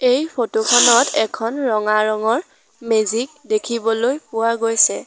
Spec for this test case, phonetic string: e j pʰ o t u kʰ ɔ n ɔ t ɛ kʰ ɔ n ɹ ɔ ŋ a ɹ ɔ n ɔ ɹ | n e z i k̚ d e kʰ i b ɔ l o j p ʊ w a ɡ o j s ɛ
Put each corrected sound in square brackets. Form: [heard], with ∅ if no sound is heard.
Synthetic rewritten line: e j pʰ o t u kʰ ɔ n ɔ t ɛ kʰ ɔ n ɹ ɔ ŋ a ɹ ɔ [ŋ] ɔ ɹ | [m] e z i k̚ d e kʰ i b ɔ l o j p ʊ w a ɡ o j s ɛ